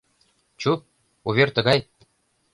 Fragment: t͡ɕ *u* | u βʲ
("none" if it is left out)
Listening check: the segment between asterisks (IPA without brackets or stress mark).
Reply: u